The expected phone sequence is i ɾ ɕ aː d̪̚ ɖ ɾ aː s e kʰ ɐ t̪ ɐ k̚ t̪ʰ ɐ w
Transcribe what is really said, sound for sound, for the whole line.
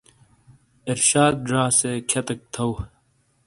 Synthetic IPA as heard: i ɾ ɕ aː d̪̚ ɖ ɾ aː s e kʰ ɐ t̪ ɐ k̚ t̪ʰ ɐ w

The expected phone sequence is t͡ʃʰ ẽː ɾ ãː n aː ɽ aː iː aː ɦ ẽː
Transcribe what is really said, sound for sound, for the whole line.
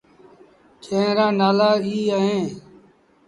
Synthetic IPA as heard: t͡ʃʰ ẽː ɾ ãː n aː l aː iː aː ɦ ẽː

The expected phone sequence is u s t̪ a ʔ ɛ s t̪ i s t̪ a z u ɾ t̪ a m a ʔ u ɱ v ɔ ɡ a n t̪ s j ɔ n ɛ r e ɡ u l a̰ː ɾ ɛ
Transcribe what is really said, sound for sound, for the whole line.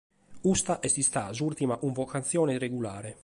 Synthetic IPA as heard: u s t̪ a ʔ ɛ s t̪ i s t̪ a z u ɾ t̪ i m a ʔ u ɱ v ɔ k a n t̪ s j ɔː n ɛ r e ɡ u l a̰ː ɾ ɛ

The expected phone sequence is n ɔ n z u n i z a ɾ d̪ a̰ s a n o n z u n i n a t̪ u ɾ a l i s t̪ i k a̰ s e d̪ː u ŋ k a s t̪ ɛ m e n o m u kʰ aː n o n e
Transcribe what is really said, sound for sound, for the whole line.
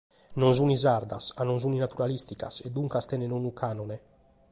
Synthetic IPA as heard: n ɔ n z u n i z a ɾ d̪ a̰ s a n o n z u n i n a t̪ u ɾ a l i s t̪ i k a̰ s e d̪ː u ŋ k a s t̪ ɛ n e n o n u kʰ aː n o n e

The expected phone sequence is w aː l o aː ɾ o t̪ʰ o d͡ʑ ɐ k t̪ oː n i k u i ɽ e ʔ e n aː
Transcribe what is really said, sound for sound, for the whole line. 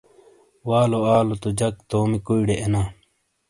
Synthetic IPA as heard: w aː l o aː l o t̪ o d͡ʑ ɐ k t̪ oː m i k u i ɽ e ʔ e n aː

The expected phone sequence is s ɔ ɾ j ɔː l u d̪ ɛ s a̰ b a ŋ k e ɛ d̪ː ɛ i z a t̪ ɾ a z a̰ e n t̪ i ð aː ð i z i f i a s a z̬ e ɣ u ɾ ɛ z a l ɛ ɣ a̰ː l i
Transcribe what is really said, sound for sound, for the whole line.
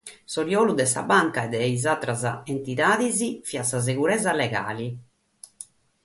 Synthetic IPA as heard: s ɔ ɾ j ɔː l u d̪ ɛ s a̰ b a ŋ k a ɛ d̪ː ɛ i z a t̪ ɾ a z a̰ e n t̪ i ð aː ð i z i f i a s a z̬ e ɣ u ɾ ɛ z a l ɛ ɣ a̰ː l i

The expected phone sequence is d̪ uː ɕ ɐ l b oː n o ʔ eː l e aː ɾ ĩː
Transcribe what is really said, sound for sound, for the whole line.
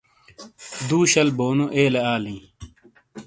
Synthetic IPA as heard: d̪ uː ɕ ɐ l b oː n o ʔ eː l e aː l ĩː

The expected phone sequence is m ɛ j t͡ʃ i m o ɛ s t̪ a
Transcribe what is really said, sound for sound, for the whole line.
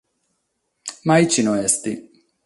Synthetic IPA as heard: m a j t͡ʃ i n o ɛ s t̪ i

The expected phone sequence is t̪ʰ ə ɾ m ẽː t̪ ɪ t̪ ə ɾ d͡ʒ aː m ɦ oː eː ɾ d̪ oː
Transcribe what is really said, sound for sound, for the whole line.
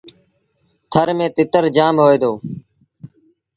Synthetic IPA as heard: t̪ʰ ə ɾ m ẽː t̪ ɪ t̪ ə ɾ d͡ʒ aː m ɦ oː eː d̪ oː

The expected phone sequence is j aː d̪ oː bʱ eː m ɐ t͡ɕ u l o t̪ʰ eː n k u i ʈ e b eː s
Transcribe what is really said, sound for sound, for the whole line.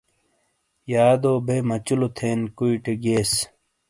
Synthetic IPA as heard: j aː d̪ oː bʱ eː m ɐ t͡ɕ u l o t̪ʰ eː n k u i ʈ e ɡ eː s

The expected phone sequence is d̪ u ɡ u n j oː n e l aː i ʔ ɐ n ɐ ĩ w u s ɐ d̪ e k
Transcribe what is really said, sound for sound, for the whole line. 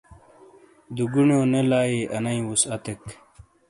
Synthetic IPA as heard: d̪ u ɡ u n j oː n e l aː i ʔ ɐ n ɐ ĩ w u s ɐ t̪ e k

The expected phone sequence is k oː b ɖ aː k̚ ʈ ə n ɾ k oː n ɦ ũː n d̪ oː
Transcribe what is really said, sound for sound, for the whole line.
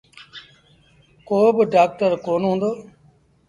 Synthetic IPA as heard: k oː b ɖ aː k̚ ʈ ə ɾ k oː n ɦ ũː n d̪ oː

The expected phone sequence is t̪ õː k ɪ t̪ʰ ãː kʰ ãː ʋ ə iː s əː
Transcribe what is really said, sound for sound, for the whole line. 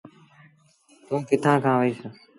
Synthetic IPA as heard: t̪ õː k ɪ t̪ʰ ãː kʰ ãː ʋ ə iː s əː

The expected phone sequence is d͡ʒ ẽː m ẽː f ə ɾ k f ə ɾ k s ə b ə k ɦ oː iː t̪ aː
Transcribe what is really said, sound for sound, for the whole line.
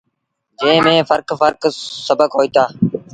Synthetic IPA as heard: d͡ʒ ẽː m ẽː f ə ɾ k f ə ɾ k s ə b ə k ɦ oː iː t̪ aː

